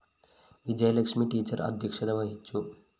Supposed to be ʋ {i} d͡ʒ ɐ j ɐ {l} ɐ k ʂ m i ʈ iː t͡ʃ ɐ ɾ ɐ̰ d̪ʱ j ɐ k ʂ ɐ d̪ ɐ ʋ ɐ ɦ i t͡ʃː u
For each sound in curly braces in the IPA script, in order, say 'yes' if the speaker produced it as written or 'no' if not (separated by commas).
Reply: yes, yes